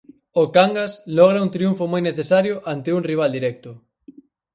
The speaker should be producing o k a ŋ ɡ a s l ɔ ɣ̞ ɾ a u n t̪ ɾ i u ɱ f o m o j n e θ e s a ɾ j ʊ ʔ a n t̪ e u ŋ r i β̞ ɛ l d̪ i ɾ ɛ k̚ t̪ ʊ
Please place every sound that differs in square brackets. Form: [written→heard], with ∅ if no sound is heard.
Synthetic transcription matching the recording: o k a ŋ ɡ a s l ɔ ɣ̞ ɾ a u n t̪ ɾ i u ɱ f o m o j n e θ e s a ɾ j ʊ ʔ a n t̪ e u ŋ r i β̞ [ɛ→a] l d̪ i ɾ ɛ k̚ t̪ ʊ